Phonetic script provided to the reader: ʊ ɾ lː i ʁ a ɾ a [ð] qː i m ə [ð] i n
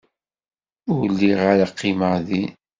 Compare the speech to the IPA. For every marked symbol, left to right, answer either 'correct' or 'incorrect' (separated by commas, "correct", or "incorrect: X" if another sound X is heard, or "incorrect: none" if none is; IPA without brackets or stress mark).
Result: incorrect: none, correct